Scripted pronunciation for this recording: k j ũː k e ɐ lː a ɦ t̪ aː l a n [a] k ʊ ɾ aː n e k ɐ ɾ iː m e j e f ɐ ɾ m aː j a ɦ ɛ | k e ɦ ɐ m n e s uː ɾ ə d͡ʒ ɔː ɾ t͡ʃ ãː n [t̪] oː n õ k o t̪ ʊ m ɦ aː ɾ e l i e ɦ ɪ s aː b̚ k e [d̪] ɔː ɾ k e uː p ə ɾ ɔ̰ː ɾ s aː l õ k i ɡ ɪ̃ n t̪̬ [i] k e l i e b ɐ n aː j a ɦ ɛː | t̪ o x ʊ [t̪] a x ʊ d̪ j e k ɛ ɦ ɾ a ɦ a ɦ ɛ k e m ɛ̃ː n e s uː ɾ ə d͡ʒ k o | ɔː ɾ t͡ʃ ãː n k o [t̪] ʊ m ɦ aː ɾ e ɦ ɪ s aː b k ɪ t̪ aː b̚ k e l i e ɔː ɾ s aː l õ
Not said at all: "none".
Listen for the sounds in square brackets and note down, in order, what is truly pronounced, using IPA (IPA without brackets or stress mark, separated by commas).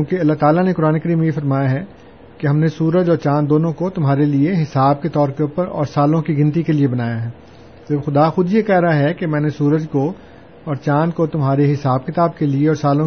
e, d̪, t̪, i, d̪, t̪